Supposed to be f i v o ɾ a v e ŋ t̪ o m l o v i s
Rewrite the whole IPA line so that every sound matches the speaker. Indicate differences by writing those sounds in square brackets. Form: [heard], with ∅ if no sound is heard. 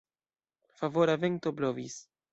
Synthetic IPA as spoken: f [a] v o ɾ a v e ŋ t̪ o [b] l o v i s